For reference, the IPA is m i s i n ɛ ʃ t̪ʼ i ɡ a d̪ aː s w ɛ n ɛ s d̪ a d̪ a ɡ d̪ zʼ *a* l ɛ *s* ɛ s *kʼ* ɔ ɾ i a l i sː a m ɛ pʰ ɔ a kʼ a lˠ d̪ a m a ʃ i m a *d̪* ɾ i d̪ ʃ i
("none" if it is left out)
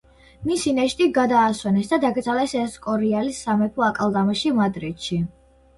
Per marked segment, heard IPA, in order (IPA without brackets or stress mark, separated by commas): a, s, kʼ, d̪